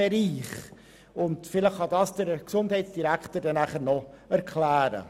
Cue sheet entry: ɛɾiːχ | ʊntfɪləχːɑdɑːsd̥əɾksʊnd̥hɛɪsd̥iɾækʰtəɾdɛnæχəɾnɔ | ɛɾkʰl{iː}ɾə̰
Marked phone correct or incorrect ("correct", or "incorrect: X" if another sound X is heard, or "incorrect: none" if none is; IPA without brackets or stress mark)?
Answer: incorrect: æː